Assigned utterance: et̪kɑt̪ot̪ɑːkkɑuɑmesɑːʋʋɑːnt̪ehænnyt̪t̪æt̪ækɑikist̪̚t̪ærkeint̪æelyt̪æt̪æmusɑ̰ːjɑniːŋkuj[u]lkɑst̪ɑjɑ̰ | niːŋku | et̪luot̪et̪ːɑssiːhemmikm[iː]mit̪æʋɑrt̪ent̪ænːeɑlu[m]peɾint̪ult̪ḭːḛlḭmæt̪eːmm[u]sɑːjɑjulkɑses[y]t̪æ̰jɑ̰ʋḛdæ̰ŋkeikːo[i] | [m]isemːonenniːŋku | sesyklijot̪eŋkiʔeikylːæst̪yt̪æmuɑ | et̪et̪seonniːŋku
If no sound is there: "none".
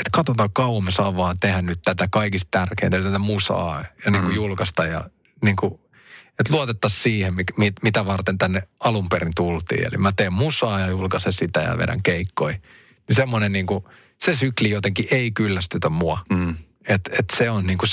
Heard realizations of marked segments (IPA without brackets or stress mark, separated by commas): u, i, m, u, i, i, n